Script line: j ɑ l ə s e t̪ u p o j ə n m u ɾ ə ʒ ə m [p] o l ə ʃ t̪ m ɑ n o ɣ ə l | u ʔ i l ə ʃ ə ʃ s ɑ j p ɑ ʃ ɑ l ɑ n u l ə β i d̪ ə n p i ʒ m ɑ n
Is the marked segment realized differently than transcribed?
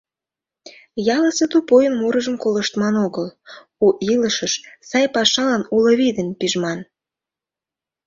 yes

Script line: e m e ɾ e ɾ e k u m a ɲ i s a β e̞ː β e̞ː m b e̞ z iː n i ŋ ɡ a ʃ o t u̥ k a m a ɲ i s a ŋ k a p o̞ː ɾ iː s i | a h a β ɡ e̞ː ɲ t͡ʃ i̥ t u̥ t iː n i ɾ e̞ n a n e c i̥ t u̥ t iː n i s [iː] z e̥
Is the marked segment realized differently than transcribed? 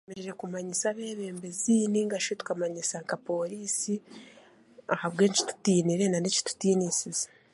yes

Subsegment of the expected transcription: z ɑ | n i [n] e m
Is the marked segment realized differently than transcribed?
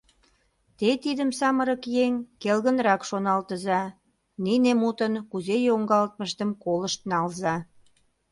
no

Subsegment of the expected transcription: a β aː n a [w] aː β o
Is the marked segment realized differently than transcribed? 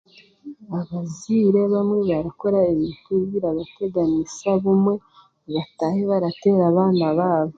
yes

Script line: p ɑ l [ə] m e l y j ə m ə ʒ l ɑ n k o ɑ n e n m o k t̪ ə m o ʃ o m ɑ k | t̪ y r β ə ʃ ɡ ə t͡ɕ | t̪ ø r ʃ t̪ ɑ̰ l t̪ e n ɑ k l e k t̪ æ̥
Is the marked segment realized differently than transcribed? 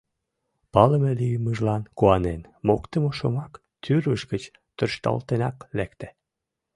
no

